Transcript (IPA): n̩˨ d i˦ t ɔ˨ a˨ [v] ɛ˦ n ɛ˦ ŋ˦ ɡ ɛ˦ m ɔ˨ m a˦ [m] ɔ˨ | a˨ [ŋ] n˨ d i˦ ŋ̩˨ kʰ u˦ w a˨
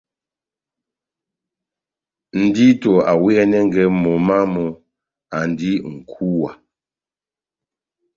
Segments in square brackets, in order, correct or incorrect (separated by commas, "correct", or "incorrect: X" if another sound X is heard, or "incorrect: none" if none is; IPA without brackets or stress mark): incorrect: w, correct, incorrect: none